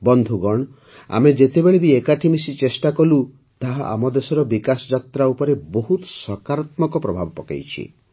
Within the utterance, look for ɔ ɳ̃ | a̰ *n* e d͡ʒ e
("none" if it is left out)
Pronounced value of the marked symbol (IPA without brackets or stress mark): m